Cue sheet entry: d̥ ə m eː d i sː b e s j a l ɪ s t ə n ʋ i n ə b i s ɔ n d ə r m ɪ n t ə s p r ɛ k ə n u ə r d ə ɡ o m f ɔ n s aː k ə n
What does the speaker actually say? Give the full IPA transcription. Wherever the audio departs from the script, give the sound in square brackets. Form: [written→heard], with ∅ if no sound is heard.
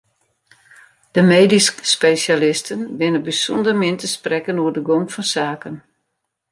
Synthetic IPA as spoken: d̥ ə m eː d i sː [b→p] e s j a l ɪ s t ə n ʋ [i→ɪ] n ə b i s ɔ n d ə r m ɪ n t ə s p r ɛ k ə n u ə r d ə ɡ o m f ɔ n s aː k ə n